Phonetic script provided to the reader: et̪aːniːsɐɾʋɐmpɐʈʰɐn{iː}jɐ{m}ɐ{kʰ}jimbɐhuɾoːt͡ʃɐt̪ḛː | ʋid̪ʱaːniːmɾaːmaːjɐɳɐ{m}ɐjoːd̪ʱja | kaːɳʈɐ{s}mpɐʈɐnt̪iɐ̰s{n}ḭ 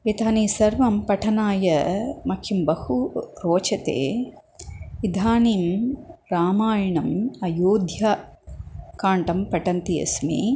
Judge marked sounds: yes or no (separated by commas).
no, yes, yes, yes, no, no